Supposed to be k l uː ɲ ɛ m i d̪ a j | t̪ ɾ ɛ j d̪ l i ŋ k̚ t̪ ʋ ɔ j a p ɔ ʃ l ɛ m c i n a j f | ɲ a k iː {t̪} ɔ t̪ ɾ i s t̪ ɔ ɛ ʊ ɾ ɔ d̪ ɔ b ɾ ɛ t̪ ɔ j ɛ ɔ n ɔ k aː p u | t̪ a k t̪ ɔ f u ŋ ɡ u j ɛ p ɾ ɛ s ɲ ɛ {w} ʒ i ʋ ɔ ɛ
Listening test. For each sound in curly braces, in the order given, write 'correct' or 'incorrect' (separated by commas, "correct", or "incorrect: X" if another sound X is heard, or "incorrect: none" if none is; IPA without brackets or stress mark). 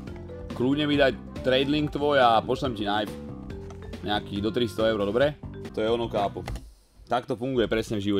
incorrect: d̪, incorrect: v